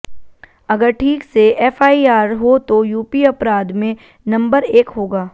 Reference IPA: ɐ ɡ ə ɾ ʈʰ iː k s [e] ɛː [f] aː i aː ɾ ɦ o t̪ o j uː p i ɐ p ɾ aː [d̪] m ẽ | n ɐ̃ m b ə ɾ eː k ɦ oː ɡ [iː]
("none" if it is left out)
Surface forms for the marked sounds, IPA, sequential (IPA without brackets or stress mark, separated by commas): e, f, d̪, aː